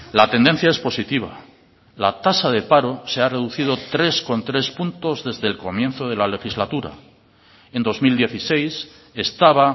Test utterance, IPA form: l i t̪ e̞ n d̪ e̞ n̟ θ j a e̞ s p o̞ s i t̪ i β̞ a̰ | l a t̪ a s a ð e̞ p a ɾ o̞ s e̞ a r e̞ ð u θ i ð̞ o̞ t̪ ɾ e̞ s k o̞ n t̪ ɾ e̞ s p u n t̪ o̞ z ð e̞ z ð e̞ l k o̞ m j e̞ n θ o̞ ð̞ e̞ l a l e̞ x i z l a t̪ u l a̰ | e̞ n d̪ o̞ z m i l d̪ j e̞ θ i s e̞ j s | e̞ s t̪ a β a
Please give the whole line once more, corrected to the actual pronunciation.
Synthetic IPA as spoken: l a t̪ e̞ n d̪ e̞ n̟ θ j a e̞ s p o̞ s i t̪ i β̞ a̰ | l a t̪ a s a ð e̞ p a ɾ o̞ s e̞ a r e̞ ð u θ i ð̞ o̞ t̪ ɾ e̞ s k o̞ n t̪ ɾ e̞ s p u n t̪ o̞ z ð e̞ z ð e̞ l k o̞ m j e̞ n θ o̞ ð̞ e̞ l a l e̞ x i z l a t̪ u ɾ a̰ | e̞ n d̪ o̞ z m i l d̪ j e̞ θ i s e̞ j s | e̞ s t̪ a β a